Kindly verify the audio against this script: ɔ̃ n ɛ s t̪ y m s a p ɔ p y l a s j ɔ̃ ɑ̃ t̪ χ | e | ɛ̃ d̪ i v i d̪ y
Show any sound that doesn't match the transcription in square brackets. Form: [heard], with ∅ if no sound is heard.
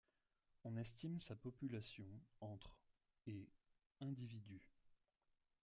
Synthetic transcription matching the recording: ɔ̃ n ɛ s t̪ [i] m s a p ɔ p y l a s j ɔ̃ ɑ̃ t̪ χ | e | ɛ̃ d̪ i v i d̪ y